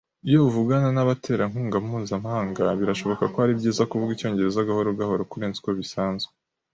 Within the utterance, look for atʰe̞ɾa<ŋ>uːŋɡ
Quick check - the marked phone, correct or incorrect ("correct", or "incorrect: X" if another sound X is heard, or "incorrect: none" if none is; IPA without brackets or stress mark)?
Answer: correct